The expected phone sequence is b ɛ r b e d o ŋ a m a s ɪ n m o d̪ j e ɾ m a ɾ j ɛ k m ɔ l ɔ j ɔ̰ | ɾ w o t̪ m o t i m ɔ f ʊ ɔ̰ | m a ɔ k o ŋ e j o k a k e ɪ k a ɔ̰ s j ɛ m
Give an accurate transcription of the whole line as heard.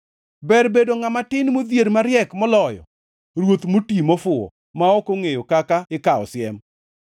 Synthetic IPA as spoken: b ɛ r b e d o ŋ a m a t ɪ n m o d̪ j e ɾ m a ɾ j ɛ k m ɔ l ɔ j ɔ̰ | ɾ w o t̪ m o t i m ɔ f ʊ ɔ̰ | m a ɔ k o ŋ e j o k a k a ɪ k a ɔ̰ s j ɛ m